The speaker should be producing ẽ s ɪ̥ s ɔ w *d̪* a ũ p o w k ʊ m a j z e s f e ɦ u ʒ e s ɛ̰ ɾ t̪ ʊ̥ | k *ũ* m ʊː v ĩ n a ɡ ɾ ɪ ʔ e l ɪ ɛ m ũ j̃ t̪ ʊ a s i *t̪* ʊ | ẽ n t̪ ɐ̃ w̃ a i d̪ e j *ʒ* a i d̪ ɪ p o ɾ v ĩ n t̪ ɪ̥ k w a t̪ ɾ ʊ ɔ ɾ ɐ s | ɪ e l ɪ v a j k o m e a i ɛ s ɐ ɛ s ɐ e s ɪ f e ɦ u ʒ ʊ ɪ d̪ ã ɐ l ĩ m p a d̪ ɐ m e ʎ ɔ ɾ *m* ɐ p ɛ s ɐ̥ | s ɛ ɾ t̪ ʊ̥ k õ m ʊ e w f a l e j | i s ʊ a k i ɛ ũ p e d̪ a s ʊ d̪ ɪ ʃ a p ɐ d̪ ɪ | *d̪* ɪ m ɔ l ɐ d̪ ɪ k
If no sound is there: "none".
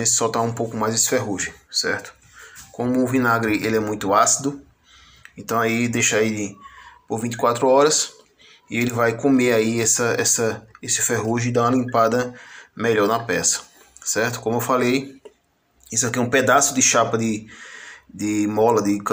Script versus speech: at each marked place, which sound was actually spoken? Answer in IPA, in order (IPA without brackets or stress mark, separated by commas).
t̪, õ, d̪, ʃ, n, d̪